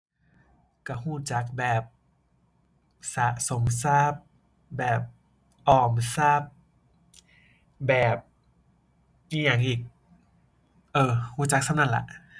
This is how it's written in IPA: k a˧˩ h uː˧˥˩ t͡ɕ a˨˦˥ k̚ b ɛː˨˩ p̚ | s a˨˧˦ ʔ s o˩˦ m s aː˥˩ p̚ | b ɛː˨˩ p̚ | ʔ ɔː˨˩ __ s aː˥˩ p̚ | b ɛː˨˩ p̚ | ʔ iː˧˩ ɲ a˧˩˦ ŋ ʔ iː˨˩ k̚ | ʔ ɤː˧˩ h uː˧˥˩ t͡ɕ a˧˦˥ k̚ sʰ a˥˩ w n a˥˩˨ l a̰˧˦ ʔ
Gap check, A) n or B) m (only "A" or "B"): B